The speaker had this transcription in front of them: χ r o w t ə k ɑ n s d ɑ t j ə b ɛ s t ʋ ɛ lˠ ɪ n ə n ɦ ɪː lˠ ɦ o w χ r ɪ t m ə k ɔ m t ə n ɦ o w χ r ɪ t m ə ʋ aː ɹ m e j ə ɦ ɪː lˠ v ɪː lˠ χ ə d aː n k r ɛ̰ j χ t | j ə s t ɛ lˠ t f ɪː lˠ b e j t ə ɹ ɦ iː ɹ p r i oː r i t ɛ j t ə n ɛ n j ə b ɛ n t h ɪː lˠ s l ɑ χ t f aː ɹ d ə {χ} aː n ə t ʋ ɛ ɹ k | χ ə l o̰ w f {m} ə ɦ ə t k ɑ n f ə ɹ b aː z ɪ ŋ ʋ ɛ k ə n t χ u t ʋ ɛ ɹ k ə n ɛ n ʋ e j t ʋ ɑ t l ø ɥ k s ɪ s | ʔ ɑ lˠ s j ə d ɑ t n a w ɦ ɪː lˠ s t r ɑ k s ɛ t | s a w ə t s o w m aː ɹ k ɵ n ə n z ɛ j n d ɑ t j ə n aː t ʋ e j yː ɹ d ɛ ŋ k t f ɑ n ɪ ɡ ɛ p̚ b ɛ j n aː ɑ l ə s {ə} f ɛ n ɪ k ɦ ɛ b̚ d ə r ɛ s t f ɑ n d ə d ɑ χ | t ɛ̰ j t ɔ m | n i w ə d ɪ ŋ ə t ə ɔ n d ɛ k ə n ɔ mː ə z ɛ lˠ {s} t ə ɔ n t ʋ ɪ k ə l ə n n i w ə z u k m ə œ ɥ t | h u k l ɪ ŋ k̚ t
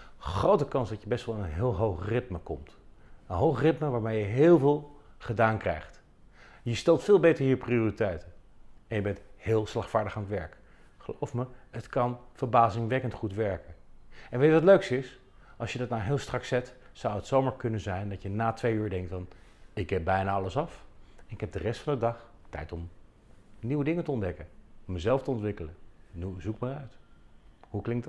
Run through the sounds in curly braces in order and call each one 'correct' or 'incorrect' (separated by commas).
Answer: correct, correct, incorrect, incorrect